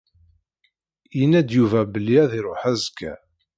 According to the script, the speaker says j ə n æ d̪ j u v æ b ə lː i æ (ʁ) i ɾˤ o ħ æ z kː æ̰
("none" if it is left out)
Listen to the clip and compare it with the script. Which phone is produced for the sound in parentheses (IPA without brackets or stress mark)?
ð